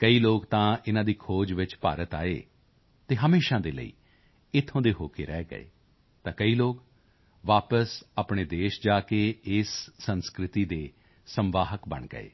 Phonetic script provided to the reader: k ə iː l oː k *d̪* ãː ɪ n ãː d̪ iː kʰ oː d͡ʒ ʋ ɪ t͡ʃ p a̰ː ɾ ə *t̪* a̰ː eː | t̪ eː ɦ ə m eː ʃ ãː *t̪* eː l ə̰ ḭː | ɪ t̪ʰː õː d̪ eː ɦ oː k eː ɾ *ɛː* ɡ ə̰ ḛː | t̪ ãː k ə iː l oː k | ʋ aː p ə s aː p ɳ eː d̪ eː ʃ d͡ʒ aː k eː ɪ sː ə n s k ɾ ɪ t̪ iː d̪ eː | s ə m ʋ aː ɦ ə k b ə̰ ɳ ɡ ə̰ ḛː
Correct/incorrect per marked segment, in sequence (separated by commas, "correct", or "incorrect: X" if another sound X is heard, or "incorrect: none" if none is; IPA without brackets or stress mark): incorrect: t̪, correct, incorrect: d̪, correct